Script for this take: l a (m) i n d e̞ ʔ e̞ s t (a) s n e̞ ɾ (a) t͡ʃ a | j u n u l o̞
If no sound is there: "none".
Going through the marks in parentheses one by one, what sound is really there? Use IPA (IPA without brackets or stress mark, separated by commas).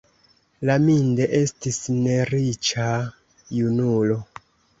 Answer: m, i, i